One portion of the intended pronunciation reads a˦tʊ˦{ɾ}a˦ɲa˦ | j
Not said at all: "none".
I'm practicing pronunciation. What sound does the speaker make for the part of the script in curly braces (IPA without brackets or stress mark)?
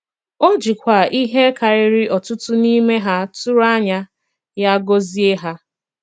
ɾ